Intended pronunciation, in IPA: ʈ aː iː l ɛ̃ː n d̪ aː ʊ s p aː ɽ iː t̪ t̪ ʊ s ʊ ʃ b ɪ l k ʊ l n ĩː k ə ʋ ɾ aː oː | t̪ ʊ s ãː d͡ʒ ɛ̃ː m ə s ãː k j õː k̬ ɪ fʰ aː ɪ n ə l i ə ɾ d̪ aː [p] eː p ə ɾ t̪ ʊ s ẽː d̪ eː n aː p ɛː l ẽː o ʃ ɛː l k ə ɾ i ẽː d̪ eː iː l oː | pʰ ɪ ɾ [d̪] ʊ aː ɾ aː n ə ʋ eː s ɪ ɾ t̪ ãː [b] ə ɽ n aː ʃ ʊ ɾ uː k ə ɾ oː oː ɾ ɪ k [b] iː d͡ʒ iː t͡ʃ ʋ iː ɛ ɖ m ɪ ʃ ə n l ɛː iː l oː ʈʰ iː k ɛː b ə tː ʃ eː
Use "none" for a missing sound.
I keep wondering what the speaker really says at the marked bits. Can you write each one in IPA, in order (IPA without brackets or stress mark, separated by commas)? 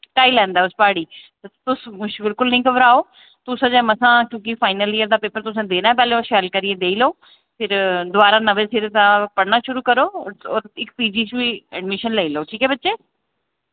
p, d̪, p, p